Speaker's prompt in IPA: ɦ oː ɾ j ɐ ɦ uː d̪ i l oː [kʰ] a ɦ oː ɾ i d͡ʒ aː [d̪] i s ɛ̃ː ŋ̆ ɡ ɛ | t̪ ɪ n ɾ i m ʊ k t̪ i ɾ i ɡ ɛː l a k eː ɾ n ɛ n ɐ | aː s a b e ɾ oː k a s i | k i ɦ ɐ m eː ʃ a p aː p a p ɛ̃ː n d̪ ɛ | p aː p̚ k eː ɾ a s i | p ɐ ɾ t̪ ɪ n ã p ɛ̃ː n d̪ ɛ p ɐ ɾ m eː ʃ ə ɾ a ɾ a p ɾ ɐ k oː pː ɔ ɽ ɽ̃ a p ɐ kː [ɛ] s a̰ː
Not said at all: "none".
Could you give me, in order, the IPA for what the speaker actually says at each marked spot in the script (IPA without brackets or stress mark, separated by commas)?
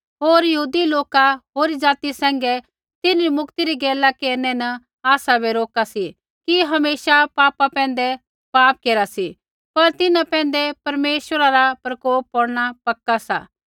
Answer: k, t̪, a